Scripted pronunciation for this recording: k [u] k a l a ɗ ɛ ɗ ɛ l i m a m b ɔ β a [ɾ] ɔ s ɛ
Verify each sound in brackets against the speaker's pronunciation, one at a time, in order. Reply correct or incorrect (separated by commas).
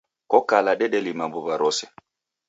incorrect, correct